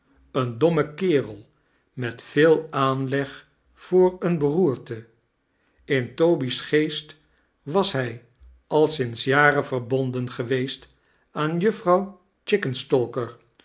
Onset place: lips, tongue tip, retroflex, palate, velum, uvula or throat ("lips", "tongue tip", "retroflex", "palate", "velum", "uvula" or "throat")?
tongue tip